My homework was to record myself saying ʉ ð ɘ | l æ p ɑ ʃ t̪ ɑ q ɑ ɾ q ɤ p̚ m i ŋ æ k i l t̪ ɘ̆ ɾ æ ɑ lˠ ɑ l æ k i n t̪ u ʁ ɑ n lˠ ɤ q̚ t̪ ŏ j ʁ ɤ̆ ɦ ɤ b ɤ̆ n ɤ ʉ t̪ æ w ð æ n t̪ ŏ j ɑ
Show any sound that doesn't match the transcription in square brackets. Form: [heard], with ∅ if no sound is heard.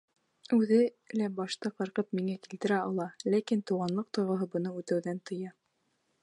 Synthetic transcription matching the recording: ʉ ð ɘ | l æ [b] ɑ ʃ t̪ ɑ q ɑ ɾ q ɤ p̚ m i ŋ æ k i l t̪ ɘ̆ ɾ æ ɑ lˠ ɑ l æ k i n t̪ u ʁ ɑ n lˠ ɤ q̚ t̪ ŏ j ʁ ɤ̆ ɦ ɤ b ɤ̆ n ɤ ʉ t̪ æ w ð æ n t̪ [ɤ̆] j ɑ